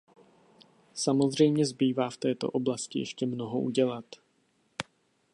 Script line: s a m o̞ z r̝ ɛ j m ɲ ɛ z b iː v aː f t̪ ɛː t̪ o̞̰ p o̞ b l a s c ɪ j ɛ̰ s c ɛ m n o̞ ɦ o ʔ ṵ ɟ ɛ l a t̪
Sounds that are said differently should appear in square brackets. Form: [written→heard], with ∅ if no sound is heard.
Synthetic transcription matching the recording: s a m o̞ z r̝ ɛ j m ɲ ɛ z b iː v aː f t̪ ɛː t̪ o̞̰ [p→ʔ] o̞ b l a s c ɪ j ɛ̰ [s→ʃ] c ɛ m n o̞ ɦ o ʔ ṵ ɟ ɛ l a t̪